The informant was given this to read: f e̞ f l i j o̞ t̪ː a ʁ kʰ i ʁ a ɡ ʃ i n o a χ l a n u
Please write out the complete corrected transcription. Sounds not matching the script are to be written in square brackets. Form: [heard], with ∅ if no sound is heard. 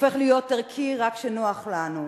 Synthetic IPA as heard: f e̞ [χ] l i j o̞ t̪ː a ʁ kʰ i ʁ a [k] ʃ [e] n o a χ l a n u